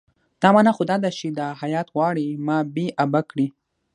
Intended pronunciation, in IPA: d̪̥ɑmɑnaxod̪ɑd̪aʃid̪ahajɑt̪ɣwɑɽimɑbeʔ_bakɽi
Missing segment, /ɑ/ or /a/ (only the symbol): a